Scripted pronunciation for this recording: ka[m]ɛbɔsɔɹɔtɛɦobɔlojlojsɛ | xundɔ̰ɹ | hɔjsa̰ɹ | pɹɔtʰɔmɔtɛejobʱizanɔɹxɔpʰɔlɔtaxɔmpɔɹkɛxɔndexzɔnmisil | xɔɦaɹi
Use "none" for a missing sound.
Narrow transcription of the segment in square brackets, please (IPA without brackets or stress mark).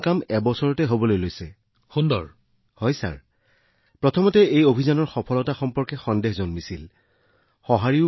m